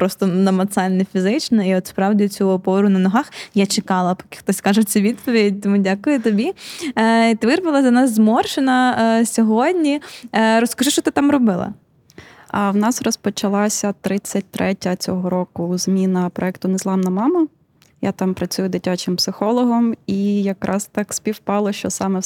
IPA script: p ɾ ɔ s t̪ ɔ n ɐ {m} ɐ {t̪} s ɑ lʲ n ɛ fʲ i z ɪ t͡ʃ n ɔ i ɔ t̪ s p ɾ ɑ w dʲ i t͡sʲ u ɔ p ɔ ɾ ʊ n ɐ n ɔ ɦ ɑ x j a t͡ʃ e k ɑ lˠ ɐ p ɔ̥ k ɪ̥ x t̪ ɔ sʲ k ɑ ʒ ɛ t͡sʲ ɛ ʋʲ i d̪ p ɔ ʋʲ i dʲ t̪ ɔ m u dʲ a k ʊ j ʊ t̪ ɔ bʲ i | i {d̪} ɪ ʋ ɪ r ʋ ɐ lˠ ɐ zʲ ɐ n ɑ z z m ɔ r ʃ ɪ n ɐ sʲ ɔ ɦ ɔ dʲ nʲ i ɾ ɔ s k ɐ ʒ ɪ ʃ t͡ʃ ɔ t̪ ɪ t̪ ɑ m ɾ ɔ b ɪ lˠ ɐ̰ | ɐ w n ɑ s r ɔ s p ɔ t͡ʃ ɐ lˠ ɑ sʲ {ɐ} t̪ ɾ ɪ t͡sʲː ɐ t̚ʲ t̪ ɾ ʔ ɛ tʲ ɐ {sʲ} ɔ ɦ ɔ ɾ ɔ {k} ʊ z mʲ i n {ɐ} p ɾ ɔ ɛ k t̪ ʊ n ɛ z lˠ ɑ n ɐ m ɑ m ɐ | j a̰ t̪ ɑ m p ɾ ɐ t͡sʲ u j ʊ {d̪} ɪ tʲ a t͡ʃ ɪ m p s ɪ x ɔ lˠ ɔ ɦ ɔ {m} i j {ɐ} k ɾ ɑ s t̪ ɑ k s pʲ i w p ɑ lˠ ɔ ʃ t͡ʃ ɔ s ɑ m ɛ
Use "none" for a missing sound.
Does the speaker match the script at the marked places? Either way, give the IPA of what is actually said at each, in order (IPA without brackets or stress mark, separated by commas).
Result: m, t̪, t̪, ɐ, t͡sʲ, k, ɐ, d̪, m, ɐ